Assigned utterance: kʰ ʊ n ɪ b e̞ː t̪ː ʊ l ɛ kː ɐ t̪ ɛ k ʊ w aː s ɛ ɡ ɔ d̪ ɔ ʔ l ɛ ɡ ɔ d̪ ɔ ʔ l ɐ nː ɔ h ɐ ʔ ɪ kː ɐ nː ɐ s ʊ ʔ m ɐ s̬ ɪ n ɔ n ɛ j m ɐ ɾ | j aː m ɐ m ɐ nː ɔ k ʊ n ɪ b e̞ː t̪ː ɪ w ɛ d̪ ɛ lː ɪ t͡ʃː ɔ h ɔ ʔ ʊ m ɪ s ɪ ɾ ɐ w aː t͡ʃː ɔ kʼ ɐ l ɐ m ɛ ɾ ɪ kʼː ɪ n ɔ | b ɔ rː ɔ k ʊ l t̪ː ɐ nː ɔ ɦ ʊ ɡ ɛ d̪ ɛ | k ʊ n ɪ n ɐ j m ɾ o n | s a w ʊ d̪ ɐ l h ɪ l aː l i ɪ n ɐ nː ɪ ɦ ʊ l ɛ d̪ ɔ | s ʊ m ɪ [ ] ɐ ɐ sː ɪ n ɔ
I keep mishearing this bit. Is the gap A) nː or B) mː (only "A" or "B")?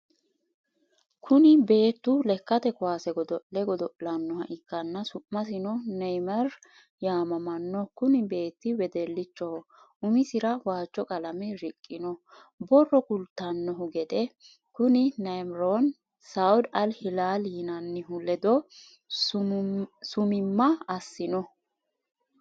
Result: B